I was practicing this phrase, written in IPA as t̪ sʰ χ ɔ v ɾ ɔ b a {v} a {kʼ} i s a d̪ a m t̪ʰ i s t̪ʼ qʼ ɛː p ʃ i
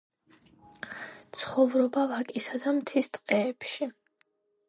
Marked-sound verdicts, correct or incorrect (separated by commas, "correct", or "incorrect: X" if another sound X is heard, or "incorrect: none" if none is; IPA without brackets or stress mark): correct, correct